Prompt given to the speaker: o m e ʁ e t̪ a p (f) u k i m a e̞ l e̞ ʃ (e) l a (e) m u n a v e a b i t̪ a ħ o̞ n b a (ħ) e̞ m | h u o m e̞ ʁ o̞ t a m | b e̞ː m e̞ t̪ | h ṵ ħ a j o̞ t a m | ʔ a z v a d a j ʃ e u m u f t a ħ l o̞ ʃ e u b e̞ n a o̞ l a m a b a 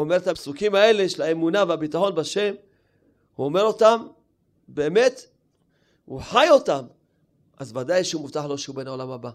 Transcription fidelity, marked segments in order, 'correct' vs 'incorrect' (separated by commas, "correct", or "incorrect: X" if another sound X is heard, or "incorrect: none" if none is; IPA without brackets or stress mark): incorrect: s, correct, correct, incorrect: ʃ